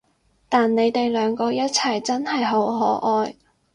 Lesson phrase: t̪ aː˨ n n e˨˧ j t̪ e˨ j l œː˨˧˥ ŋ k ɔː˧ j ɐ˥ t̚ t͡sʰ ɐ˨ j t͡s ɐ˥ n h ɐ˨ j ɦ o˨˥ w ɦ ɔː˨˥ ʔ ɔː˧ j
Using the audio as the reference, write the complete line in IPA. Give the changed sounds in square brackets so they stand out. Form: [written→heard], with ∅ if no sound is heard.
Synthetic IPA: t̪ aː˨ n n e˨˧ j t̪ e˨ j l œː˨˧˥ ŋ k ɔː˧ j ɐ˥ t̚ t͡sʰ ɐ˨ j t͡s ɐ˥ n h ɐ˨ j ɦ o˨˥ w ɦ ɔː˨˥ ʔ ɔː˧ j

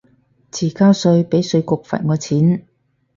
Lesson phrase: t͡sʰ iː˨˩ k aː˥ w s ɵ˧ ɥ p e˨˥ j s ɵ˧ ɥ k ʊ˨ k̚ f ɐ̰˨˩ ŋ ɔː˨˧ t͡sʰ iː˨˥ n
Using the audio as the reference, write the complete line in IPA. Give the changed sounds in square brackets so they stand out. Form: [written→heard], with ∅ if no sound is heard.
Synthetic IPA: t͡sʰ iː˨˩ k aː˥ w s ɵ˧ ɥ p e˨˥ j s ɵ˧ ɥ k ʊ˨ k̚ f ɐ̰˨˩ ŋ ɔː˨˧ t͡sʰ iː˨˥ n

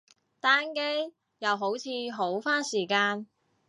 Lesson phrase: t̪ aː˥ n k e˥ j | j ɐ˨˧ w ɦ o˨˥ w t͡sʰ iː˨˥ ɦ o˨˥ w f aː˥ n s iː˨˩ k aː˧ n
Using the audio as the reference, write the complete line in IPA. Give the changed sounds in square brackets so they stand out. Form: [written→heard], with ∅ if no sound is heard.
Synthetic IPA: t̪ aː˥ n k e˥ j | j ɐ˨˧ w ɦ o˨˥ w t͡sʰ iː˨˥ ɦ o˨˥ w f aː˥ n s iː˨˩ k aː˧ n

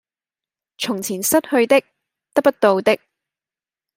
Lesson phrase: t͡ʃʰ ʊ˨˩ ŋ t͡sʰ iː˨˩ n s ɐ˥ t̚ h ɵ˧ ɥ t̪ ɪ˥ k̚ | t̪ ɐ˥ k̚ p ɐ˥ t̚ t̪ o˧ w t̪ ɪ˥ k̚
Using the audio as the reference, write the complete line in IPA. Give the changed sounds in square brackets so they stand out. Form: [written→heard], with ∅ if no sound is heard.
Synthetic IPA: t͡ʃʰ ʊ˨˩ ŋ t͡sʰ iː˨˩ n s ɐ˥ t̚ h ɵ˧ ɥ t̪ ɪ˥ k̚ | t̪ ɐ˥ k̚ p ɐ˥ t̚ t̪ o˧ w t̪ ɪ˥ k̚

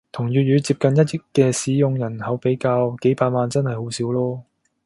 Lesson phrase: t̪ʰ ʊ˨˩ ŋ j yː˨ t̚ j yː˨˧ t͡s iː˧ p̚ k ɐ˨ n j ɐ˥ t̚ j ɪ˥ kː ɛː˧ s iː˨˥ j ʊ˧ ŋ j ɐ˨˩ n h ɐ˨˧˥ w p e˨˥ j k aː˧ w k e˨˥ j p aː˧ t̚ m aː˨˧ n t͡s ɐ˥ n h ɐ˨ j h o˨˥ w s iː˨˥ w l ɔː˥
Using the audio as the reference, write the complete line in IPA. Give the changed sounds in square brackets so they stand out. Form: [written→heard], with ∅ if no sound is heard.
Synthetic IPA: t̪ʰ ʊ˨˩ ŋ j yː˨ t̚ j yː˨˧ t͡s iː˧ p̚ k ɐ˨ n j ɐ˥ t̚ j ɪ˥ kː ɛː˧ s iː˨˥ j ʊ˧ ŋ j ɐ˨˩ n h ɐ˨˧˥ w p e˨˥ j k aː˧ w k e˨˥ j p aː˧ t̚ m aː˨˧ n t͡s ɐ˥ n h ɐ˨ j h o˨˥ w s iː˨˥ w l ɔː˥

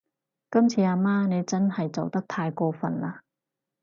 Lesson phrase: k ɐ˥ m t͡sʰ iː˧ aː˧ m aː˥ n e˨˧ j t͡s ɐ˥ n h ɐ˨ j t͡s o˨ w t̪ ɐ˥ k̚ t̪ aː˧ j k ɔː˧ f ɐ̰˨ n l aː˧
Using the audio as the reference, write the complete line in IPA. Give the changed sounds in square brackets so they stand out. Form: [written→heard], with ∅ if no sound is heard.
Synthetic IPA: k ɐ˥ m t͡sʰ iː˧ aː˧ m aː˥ n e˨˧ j t͡s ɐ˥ n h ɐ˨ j t͡s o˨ w t̪ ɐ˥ k̚ [t̪→t̪ʰ] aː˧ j k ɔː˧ f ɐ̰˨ n l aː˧

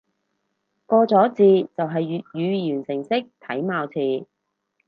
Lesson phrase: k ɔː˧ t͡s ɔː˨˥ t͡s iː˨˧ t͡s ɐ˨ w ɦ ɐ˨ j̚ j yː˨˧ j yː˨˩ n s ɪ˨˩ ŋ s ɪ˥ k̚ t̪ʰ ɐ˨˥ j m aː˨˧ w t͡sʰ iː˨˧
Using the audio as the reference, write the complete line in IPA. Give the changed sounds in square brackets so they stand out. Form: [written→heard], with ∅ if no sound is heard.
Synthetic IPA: k ɔː˧ t͡s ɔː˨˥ t͡s iː˨˧ t͡s ɐ˨ w ɦ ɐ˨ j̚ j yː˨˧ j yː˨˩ n s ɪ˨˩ ŋ s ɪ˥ k̚ t̪ʰ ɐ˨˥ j m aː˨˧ w t͡sʰ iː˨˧

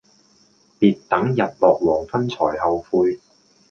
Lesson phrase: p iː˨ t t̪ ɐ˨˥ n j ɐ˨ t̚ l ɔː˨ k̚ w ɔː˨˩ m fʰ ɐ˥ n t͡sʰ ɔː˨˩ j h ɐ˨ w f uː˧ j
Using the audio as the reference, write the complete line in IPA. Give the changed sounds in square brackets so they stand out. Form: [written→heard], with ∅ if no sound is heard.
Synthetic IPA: p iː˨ t t̪ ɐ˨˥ [n→ŋ] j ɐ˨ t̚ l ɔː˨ k̚ w ɔː˨˩ [m→ŋ] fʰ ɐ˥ n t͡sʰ ɔː˨˩ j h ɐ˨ w f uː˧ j

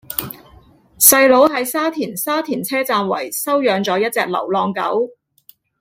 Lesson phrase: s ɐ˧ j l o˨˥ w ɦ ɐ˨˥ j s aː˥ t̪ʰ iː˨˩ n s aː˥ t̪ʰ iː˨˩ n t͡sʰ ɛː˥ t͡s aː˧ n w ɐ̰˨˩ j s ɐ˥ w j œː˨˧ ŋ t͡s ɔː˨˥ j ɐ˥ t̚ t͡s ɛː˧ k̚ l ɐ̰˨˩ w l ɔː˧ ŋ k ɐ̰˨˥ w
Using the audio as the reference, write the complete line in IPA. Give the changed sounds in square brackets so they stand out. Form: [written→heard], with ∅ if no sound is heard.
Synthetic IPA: s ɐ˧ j l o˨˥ w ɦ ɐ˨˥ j s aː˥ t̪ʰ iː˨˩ n s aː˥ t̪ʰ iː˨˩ n t͡sʰ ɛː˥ t͡s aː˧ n w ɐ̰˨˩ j s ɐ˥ w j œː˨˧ ŋ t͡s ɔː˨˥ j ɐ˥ t̚ t͡s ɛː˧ k̚ l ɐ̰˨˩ w l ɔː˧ ŋ k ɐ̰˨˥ w

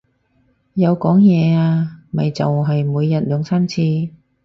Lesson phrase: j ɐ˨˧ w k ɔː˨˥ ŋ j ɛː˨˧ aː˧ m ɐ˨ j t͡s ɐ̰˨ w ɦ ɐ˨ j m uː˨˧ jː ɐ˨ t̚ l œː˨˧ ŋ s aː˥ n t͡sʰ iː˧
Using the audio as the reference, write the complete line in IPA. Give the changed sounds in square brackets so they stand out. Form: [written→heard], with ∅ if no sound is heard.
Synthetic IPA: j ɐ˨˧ w k ɔː˨˥ ŋ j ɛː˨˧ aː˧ m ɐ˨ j t͡s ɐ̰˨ w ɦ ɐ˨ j m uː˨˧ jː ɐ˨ t̚ l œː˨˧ ŋ s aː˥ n t͡sʰ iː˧

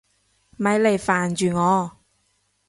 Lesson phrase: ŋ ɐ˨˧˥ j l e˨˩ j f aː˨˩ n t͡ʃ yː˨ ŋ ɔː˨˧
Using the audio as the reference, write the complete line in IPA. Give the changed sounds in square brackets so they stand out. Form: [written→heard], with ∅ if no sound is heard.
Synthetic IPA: [ŋ→m] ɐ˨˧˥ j l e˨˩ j f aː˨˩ n t͡ʃ yː˨ ŋ ɔː˨˧

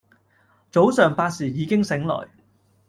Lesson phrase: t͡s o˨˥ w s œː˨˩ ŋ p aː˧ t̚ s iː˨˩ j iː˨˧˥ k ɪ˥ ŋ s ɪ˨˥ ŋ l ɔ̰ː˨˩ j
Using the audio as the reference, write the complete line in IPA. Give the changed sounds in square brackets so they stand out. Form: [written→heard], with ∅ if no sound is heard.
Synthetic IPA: t͡s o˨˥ w s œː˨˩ ŋ p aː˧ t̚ s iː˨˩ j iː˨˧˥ k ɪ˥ ŋ s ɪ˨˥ ŋ l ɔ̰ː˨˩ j

